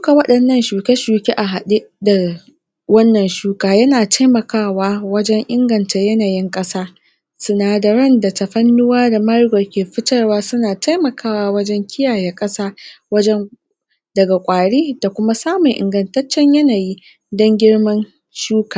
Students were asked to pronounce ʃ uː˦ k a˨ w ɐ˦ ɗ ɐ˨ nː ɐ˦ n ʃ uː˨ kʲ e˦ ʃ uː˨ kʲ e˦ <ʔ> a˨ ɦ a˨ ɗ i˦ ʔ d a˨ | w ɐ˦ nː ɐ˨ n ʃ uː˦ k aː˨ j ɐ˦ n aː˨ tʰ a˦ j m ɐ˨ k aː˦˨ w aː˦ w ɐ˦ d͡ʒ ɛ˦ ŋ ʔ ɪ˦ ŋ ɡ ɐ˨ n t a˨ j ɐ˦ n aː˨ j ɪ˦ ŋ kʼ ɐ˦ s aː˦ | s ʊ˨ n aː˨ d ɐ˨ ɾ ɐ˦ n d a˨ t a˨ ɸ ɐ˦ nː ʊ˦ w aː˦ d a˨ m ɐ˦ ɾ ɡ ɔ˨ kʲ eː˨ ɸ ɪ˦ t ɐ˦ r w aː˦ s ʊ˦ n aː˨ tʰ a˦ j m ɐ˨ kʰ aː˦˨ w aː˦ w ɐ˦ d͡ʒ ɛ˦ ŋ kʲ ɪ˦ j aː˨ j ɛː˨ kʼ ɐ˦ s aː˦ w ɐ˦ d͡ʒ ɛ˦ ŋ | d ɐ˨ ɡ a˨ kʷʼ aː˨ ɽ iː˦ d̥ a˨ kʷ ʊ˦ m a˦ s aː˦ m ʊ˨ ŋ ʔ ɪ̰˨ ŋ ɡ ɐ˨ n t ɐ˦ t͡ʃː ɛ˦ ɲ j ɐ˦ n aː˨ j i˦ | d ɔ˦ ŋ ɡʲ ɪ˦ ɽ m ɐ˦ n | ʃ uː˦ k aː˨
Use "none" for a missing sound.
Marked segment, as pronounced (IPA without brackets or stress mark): ʔ